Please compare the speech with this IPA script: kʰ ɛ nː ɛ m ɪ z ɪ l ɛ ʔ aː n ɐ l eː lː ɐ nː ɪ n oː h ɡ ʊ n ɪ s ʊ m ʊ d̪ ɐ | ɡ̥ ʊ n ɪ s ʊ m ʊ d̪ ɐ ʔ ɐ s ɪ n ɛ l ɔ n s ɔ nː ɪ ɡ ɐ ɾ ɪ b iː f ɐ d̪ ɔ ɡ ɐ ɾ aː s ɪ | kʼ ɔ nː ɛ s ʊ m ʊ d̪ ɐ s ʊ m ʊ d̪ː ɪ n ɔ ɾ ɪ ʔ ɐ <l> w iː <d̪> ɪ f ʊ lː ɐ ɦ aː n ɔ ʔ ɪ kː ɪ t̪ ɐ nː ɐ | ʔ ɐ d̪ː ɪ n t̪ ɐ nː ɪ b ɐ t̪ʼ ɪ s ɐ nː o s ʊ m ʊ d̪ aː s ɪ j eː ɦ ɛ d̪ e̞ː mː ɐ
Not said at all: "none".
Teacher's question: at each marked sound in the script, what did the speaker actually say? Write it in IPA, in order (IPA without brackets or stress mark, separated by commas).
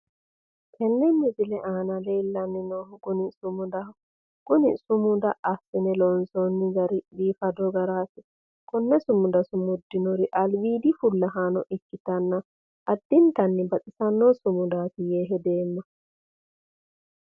l, d̪